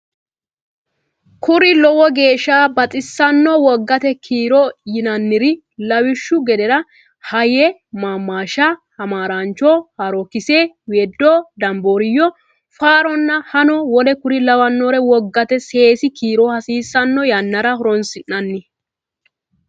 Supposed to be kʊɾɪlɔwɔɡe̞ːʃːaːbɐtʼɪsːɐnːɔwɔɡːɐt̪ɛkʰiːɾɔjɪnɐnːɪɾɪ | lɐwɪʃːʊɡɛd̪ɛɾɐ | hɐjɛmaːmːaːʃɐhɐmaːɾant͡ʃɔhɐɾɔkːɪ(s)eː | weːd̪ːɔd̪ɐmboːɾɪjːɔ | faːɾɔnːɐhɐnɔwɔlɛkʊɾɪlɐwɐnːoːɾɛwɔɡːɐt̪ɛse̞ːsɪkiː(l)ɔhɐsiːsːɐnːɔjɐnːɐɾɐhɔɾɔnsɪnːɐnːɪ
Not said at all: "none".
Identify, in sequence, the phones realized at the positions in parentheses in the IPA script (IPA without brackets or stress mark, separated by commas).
s, ɾ